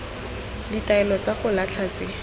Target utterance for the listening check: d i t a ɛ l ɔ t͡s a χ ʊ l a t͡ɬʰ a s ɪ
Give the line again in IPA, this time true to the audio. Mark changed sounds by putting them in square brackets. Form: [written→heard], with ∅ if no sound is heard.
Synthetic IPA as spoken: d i t a ɛ l ɔ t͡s a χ ʊ l a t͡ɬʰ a [s→t͡s] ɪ